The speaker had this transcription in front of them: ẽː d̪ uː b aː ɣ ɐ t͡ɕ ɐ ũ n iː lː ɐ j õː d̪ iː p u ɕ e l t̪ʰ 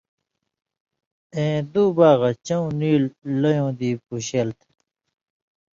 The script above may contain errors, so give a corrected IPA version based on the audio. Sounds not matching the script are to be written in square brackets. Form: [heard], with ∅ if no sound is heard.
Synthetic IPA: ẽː d̪ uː b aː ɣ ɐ t͡ɕ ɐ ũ n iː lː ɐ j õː d̪ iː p u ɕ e l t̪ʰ